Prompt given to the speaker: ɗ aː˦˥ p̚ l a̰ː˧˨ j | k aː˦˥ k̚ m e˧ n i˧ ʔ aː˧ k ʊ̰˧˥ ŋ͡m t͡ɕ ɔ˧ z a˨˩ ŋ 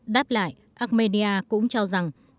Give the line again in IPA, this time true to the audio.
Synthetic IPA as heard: ɗ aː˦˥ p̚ l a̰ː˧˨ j | ʔ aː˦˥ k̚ m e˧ n i˧ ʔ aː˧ k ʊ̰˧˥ ŋ͡m t͡ɕ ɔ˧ z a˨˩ ŋ

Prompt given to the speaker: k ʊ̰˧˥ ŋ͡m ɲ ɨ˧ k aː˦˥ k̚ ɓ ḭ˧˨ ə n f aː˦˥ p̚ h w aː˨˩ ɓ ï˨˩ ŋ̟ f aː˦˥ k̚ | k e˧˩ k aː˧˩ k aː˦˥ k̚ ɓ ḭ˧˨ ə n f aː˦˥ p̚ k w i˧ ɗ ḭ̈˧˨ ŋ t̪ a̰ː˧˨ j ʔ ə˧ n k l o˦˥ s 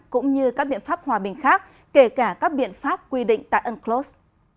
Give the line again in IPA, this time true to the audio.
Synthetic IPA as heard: k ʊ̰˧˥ ŋ͡m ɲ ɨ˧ k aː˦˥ k̚ ɓ ḭ˧˨ ə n f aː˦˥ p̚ h w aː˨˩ ɓ ï˨˩ ŋ̟ x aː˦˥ k̚ | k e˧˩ k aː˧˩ k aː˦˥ k̚ ɓ ḭ˧˨ ə n f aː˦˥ p̚ k w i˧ ɗ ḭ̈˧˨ ŋ t̪ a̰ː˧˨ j ʔ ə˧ n k l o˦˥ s

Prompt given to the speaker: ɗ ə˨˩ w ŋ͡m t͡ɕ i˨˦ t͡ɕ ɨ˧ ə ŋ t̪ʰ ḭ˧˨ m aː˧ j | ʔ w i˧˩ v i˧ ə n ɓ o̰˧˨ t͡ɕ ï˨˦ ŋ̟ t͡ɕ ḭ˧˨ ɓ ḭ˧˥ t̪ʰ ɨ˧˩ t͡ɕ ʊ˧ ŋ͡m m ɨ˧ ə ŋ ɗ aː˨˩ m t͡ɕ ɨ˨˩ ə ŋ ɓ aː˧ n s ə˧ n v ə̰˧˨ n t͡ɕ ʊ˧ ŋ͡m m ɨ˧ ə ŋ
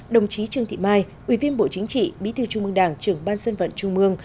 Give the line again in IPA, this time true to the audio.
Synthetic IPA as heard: ɗ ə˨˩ w ŋ͡m t͡ɕ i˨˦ t͡ɕ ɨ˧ ə ŋ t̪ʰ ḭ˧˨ m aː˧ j | ʔ w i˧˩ v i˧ ə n ɓ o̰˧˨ t͡ɕ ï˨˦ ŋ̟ t͡ɕ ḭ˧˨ ɓ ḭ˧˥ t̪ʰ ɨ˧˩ t͡ɕ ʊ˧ ŋ͡m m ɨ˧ ə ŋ ɗ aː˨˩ ŋ t͡ɕ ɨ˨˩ ə ŋ ɓ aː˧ n s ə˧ n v ə̰˧˨ n t͡ɕ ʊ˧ ŋ͡m m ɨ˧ ə ŋ

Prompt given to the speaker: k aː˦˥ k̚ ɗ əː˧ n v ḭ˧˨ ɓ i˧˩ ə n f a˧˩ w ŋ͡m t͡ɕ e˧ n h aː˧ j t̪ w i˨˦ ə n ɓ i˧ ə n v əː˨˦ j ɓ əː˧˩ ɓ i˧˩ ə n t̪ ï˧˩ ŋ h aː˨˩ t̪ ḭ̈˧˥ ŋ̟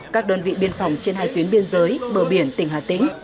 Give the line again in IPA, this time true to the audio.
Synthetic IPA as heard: k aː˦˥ k̚ ɗ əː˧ n v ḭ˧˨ ɓ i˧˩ ə n f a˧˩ w ŋ͡m t͡ɕ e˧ n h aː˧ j t̪ w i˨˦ ə n ɓ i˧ ə n z əː˨˦ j ɓ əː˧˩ ɓ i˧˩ ə n t̪ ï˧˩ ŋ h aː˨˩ t̪ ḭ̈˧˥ ŋ̟

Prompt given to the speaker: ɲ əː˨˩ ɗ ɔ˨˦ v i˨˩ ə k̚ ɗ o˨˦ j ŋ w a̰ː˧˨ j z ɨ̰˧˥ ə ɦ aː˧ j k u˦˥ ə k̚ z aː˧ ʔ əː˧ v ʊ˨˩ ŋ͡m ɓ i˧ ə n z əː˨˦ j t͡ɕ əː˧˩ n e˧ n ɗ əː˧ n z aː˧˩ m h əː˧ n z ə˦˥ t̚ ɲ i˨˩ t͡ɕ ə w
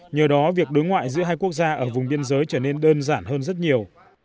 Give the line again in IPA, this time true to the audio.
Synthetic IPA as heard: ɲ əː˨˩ ɗ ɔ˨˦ v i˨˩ ə k̚ ɗ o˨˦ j ŋ w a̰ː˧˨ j z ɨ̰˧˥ ə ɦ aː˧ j k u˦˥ ə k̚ z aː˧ ʔ əː˧˩ v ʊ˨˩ ŋ͡m ɓ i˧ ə n z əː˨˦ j t͡ɕ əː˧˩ n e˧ n ɗ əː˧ n z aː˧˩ n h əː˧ n z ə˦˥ t̚ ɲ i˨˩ ə w

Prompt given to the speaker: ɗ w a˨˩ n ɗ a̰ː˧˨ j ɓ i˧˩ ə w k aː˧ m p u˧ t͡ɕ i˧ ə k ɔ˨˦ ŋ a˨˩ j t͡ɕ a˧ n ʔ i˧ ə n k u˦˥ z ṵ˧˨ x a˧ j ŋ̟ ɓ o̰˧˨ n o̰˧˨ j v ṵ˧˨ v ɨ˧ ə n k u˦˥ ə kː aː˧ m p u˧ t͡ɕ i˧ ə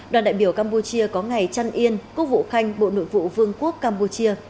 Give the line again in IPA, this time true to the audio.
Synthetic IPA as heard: ɗ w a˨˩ n ɗ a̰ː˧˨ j ɓ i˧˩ ə w k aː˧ m p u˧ t͡ɕ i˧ ə k ɔ˨˦ ŋ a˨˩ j t͡ɕ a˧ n ʔ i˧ ə n k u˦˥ v ṵ˧˨ x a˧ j ŋ̟ ɓ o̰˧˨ n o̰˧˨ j v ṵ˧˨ v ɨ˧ ə ŋ k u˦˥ ə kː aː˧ m p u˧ t͡ɕ i˧ ə

